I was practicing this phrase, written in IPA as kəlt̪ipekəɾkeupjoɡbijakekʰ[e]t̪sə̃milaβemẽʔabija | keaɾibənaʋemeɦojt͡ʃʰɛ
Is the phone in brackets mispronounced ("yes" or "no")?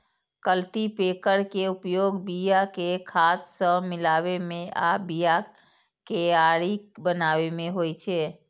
yes